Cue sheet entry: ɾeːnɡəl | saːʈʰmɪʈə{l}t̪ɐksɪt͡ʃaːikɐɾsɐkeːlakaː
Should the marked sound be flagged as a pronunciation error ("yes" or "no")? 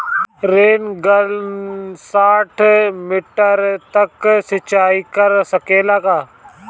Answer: yes